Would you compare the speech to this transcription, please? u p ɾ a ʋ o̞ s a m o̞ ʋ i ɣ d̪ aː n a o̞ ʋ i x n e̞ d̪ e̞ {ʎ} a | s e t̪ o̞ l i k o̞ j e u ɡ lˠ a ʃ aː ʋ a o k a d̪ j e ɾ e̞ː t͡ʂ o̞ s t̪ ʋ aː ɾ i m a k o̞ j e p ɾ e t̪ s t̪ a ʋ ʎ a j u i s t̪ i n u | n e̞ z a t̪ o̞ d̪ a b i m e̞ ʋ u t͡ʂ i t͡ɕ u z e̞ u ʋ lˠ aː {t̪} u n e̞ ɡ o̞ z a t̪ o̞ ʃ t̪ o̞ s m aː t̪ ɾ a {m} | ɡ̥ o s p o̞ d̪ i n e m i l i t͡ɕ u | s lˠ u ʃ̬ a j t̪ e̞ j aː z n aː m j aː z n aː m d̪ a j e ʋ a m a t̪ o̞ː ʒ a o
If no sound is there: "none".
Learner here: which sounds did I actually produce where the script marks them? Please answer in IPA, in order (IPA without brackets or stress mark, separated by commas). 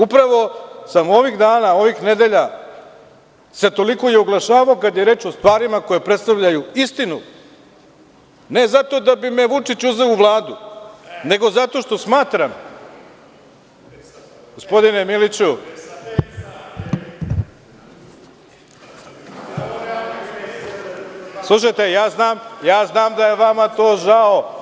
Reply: ʎ, d̪, m